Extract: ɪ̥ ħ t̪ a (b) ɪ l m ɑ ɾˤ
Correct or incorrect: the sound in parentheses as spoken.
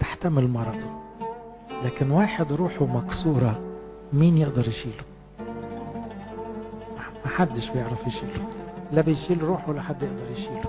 incorrect: m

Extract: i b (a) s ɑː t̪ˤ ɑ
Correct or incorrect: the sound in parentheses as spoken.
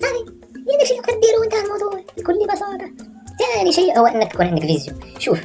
incorrect: ɑ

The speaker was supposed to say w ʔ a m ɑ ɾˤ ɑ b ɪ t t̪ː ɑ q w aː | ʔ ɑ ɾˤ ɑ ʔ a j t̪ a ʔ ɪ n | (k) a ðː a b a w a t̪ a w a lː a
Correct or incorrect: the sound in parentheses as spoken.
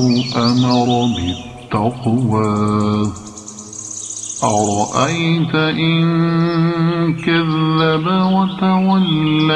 correct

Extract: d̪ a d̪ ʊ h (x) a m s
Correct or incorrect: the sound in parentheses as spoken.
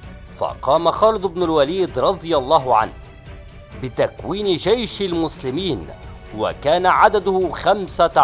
correct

